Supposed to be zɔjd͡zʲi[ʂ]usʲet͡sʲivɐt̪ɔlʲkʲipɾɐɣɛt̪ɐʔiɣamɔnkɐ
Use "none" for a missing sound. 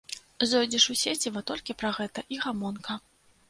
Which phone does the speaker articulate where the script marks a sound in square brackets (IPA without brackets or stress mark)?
ʂ